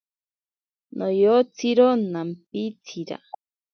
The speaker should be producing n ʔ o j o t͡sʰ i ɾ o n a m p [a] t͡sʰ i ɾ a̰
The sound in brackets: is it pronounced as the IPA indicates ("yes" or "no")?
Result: no